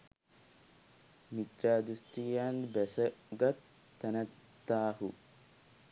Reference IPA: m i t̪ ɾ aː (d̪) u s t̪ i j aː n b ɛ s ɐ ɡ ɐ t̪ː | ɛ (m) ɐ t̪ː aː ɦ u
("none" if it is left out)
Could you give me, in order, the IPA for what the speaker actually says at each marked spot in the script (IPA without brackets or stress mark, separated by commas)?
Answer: d̪, n